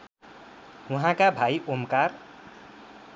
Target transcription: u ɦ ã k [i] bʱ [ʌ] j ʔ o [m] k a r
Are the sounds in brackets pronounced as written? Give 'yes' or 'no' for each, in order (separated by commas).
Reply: no, no, yes